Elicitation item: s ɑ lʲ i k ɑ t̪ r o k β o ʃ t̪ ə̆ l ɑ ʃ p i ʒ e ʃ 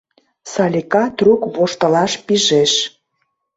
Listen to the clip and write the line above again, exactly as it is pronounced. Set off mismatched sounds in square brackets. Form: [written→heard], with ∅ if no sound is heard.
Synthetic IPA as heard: s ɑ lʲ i k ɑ t̪ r [o→u] k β o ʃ t̪ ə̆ l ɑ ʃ p i ʒ e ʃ